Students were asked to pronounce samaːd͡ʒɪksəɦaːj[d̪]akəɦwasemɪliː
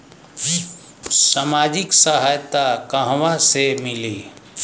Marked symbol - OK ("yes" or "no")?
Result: no